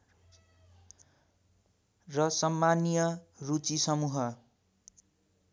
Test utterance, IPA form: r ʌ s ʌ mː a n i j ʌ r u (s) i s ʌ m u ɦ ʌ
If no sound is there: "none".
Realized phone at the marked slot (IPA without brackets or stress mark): t͡s